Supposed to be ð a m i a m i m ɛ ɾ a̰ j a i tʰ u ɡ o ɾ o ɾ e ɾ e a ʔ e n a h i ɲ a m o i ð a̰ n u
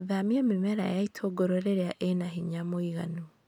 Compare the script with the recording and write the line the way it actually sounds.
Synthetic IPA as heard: ð a m i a m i m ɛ ɾ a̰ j a i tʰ o ɡ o ɾ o ɾ e ɾ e a ʔ e n a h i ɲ a m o i ɣ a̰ n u